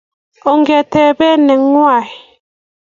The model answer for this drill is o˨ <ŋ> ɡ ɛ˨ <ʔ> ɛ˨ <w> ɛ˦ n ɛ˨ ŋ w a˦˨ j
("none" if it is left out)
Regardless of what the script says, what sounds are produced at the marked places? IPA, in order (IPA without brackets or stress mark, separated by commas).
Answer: ŋ, t, b